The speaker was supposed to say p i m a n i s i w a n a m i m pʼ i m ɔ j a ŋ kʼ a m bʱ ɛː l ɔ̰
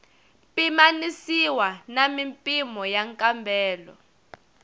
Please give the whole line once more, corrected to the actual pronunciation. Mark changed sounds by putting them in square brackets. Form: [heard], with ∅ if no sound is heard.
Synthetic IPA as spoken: p i m a n i s i w a n a m i m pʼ i m ɔ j a ŋ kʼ a m bʱ ɛː l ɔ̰